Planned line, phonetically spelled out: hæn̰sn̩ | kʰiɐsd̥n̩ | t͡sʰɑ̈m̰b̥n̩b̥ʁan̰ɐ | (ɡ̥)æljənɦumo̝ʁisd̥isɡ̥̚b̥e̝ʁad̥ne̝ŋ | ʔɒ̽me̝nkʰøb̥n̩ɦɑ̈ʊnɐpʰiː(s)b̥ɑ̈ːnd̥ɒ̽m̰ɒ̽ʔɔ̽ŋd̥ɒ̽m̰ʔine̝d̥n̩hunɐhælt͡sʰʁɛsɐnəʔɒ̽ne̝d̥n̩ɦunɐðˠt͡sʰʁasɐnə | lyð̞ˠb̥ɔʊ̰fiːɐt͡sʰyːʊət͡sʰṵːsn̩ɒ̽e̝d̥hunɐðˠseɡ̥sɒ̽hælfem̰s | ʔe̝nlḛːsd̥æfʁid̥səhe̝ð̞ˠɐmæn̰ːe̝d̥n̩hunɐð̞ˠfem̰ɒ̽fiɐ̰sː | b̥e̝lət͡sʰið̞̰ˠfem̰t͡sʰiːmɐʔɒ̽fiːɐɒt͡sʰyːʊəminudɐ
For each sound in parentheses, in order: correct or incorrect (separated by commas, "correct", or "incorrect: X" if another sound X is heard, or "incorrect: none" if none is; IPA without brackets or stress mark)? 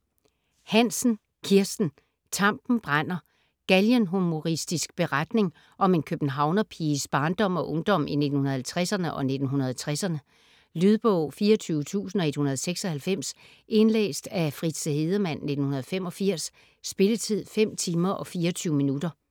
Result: correct, correct